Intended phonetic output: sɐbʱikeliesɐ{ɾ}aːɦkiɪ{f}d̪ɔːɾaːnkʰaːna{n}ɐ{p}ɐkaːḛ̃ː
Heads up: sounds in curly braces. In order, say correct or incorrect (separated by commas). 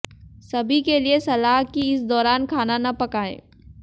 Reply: incorrect, incorrect, correct, correct